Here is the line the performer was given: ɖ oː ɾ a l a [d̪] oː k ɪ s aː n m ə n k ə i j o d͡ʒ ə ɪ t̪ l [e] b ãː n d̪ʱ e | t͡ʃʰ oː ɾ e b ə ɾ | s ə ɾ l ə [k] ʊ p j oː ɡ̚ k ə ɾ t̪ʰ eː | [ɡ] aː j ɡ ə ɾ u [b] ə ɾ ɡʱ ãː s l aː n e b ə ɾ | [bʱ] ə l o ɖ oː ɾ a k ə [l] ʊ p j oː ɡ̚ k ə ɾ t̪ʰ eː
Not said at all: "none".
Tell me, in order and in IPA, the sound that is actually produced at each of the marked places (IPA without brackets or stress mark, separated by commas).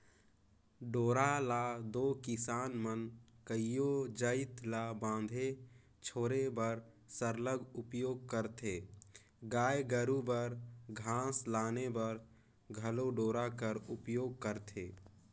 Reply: d̪, a, ɡ, ɡ, b, ɡʱ, ɾ